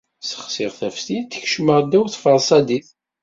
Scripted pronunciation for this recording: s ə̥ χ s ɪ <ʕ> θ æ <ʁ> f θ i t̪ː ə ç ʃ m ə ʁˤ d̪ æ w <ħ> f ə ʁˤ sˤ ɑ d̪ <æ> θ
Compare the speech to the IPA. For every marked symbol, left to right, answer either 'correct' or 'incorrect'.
incorrect: ʁ, incorrect: none, incorrect: θ, incorrect: i

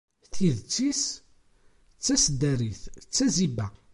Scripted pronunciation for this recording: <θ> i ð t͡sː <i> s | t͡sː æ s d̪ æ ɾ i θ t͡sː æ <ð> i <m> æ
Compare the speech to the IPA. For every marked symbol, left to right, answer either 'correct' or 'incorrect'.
correct, correct, incorrect: z, incorrect: b

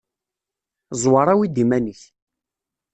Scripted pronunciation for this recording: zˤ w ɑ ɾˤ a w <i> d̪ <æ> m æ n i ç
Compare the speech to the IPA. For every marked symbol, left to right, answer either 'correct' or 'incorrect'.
correct, incorrect: i

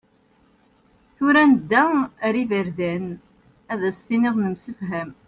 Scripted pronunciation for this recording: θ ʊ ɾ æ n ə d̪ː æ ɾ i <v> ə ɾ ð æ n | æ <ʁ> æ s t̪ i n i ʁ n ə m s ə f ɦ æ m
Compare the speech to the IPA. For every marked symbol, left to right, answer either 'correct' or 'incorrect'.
correct, incorrect: ð

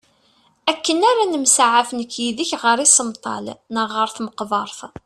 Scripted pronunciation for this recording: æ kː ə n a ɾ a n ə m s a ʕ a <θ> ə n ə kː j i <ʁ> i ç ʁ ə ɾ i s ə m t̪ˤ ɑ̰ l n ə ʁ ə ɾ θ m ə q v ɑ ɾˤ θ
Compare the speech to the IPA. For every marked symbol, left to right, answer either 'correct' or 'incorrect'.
incorrect: f, incorrect: ð

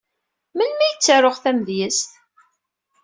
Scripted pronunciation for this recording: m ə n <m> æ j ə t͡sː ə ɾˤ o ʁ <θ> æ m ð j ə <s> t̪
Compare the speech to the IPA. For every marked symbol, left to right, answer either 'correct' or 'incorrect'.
correct, correct, correct

